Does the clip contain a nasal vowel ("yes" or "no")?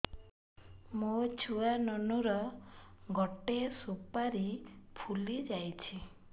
no